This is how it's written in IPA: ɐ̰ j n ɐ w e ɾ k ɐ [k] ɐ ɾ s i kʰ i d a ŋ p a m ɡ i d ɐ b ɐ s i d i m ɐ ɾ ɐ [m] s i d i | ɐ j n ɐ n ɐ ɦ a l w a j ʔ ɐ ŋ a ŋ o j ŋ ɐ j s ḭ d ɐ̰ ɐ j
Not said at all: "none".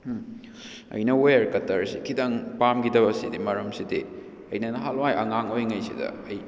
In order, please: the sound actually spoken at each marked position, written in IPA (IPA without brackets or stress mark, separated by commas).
t, m